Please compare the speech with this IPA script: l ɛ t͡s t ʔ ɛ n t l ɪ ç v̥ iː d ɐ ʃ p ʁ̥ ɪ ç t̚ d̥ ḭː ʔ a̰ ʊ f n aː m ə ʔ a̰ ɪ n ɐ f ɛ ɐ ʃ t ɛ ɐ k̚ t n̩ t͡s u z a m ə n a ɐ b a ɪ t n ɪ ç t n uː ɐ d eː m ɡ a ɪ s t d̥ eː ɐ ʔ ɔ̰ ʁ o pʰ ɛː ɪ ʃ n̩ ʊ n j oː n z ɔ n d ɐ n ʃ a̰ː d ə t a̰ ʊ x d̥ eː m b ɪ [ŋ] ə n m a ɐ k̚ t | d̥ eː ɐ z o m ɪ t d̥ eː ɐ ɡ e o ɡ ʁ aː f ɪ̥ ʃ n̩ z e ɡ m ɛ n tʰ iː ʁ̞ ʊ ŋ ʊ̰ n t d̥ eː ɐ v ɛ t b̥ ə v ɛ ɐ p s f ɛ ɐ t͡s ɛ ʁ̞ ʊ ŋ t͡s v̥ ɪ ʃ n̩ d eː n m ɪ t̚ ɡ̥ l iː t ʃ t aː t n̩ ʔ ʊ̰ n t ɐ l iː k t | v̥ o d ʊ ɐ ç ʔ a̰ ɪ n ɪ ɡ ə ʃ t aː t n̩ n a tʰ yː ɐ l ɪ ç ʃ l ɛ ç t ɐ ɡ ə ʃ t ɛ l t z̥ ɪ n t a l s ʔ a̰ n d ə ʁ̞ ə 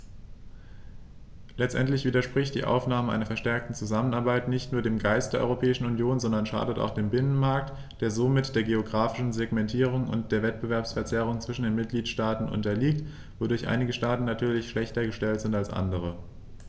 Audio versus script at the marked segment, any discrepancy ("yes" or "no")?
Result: yes